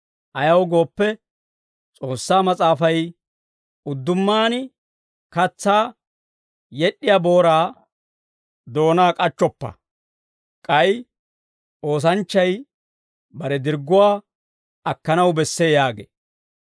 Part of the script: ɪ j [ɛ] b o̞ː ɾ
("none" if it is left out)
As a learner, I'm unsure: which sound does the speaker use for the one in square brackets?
a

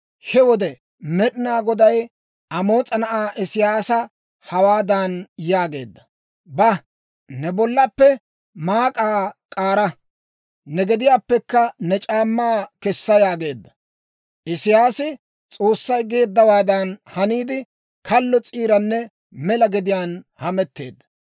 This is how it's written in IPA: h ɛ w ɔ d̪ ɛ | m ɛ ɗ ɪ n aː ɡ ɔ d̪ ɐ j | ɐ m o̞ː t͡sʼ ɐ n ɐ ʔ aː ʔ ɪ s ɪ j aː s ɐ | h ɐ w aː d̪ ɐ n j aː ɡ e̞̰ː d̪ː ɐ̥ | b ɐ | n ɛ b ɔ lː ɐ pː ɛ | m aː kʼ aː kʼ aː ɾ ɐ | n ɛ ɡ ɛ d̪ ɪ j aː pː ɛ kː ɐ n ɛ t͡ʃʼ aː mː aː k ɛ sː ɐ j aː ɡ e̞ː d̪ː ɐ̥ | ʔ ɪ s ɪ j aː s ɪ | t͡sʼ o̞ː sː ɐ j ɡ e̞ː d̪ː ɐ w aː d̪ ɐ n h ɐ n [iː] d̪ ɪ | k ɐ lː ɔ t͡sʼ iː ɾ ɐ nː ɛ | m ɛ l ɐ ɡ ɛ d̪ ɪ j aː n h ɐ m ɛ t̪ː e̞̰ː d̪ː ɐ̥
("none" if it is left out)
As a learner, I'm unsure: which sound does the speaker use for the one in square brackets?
iː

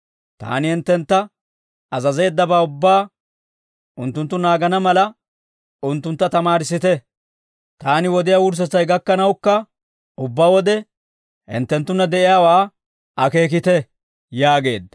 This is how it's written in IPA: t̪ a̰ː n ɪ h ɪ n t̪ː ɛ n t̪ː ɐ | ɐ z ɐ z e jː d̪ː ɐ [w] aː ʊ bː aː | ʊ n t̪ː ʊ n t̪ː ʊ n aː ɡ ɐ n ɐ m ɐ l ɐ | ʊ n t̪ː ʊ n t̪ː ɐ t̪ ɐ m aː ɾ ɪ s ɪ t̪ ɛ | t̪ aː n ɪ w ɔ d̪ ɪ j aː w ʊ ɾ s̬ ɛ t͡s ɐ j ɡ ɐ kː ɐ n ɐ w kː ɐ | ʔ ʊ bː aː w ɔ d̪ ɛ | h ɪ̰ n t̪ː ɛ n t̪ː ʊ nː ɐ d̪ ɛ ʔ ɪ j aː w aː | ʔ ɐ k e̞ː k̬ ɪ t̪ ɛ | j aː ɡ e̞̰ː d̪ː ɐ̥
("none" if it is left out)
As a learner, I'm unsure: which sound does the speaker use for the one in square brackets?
b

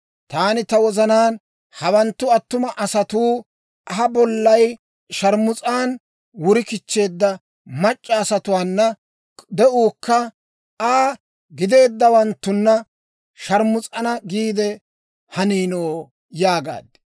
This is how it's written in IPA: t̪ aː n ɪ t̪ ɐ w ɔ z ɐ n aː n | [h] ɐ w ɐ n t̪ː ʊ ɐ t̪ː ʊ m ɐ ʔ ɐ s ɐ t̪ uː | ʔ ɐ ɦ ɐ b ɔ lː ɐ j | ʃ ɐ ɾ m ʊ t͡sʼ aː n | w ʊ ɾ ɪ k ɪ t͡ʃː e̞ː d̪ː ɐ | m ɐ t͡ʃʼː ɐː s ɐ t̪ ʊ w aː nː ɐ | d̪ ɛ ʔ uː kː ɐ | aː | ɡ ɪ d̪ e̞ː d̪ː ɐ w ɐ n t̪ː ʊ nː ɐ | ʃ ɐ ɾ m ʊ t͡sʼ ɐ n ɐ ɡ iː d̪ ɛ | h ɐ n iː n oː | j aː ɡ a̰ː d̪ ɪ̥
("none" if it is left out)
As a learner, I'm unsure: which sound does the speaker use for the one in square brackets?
h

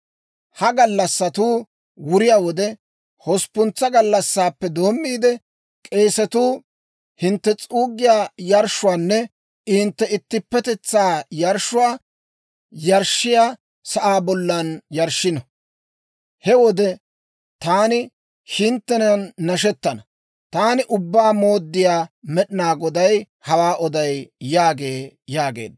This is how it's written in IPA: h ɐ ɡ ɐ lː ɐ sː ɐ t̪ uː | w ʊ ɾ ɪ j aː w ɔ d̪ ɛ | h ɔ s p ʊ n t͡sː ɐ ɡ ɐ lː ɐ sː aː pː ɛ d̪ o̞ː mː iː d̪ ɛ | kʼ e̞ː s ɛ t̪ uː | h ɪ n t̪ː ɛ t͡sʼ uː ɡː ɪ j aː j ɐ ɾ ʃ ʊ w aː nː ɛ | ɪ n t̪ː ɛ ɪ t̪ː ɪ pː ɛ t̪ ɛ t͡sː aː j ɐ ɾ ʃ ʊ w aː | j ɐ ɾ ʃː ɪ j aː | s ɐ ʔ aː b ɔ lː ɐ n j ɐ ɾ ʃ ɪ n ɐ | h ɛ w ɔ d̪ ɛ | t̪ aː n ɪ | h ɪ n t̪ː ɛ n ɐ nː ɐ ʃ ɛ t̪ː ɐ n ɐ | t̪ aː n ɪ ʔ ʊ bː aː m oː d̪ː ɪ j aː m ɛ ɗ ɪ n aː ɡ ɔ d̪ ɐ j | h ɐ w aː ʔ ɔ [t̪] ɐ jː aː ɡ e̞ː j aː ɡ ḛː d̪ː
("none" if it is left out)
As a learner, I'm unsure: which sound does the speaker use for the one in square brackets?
d̪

